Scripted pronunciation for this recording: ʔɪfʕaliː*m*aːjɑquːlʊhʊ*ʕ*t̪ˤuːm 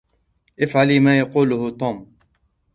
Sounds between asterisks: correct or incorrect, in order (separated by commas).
correct, incorrect